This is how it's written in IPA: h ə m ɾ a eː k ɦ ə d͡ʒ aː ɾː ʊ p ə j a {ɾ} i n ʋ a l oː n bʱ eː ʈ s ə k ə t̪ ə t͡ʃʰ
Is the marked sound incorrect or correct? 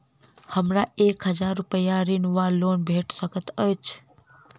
correct